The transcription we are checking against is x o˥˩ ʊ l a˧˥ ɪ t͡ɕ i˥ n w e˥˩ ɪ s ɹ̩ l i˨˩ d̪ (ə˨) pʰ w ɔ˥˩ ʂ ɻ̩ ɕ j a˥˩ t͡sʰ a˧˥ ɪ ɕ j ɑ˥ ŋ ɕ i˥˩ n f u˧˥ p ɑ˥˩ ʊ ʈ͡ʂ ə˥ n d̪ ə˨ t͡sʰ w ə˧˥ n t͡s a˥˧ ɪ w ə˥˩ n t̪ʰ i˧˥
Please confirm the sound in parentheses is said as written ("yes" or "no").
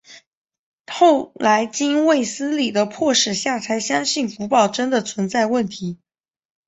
no